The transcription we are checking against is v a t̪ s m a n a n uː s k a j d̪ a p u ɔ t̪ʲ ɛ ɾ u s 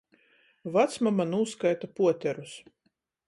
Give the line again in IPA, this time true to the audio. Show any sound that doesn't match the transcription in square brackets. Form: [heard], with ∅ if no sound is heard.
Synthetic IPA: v a t̪ s m a [m] a n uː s k a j [t̪] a p u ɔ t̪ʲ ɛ ɾ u s